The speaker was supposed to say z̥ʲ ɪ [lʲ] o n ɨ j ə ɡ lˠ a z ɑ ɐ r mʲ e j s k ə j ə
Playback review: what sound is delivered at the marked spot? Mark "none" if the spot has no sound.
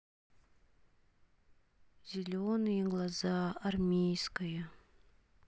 lʲ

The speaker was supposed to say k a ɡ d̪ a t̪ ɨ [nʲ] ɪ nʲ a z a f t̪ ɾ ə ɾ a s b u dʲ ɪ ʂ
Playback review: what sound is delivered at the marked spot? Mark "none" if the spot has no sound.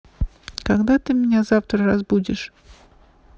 mʲ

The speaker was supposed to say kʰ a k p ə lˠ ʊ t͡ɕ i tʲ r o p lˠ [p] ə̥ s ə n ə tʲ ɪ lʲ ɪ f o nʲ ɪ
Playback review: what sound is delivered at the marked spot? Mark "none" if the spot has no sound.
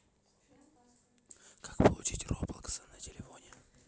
k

